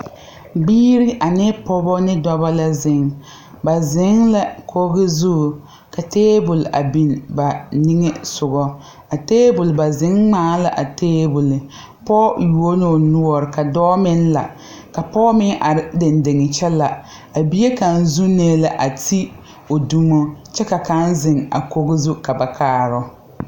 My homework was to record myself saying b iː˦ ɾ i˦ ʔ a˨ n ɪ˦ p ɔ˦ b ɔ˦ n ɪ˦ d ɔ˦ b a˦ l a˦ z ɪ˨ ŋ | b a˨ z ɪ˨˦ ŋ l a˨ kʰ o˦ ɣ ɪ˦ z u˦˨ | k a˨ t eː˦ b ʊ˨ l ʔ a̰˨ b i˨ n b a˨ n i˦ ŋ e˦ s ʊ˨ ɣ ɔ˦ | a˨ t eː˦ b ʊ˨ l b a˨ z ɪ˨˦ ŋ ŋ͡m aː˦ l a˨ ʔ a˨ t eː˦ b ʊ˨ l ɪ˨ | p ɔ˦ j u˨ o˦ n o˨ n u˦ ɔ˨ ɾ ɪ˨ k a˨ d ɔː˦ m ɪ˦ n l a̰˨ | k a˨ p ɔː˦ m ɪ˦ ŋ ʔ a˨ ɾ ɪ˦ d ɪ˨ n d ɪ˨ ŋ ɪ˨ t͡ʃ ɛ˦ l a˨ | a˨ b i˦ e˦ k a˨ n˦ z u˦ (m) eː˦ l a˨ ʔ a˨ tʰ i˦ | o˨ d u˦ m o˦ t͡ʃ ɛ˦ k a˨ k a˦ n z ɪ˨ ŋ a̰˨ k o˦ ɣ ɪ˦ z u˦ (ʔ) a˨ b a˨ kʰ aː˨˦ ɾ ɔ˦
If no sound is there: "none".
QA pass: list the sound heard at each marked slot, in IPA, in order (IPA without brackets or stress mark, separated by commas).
n, k